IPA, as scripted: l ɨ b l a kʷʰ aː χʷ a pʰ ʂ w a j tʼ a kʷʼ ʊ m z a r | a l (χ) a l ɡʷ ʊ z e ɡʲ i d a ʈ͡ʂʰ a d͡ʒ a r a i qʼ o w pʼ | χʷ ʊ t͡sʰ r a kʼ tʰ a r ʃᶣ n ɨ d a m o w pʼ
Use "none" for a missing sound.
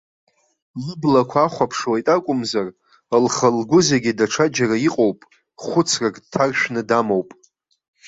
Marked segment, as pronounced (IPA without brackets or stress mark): χ